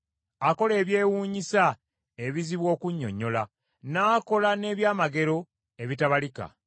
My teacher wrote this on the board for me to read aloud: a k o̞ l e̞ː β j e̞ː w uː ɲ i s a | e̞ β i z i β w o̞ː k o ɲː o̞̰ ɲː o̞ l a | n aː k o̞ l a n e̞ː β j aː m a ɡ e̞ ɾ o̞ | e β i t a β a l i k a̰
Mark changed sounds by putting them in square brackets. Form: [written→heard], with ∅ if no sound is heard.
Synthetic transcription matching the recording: a k o̞ l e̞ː β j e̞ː w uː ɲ i s a | e̞ β i z i β w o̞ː k [o→u] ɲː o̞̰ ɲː o̞ l a | n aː k o̞ l a n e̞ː β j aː m a ɡ e̞ ɾ o̞ | e β i t a β a l i k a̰